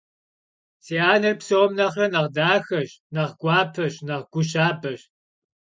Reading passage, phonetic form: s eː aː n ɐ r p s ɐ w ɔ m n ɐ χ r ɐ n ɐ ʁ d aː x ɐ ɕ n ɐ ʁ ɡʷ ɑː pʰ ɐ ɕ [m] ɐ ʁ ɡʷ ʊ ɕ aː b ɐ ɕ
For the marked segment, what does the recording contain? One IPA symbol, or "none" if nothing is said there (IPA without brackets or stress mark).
n